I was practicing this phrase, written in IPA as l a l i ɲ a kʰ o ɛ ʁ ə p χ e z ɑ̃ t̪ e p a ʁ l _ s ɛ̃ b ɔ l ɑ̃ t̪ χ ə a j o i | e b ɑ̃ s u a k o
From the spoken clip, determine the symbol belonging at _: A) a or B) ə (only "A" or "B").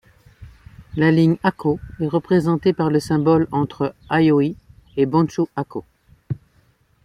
B